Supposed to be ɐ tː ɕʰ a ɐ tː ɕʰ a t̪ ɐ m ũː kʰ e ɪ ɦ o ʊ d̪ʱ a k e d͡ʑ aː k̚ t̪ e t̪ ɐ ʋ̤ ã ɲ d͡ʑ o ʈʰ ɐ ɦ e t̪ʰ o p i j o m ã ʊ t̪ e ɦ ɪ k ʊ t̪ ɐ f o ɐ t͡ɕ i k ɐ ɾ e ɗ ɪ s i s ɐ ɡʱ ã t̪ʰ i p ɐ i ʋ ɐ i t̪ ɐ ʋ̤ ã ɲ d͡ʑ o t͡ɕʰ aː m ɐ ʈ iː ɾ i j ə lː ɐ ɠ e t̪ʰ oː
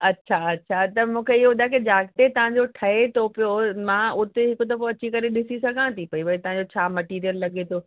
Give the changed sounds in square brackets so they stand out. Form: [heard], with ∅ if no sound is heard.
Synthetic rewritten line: ɐ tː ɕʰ a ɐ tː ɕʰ a t̪ ɐ m ũː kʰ e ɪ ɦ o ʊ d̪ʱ a k e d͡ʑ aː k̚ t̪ e t̪ ɐ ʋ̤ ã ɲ d͡ʑ o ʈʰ ɐ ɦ e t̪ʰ o p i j o m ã ʊ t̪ e ɦ ɪ k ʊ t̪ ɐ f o ɐ t͡ɕ i k ɐ ɾ e ɗ ɪ s i s ɐ ɡʱ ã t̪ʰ i p ɐ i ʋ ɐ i t̪ ɐ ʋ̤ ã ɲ d͡ʑ o t͡ɕʰ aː m ɐ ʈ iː ɾ i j ə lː ɐ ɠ e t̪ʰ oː